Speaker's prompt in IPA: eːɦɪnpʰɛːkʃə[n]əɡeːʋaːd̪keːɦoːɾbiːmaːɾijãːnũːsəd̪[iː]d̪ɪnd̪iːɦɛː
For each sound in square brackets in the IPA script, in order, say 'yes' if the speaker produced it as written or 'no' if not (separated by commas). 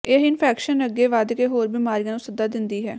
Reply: yes, no